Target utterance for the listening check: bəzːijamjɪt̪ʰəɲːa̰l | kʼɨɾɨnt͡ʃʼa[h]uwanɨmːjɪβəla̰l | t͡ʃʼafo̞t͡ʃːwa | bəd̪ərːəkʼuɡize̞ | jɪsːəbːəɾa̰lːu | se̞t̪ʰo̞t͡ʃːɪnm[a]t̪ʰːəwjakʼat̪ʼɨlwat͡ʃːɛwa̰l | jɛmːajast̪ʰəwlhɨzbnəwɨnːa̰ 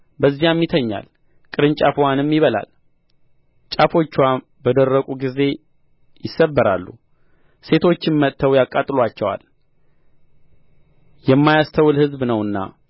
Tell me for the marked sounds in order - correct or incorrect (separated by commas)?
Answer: incorrect, incorrect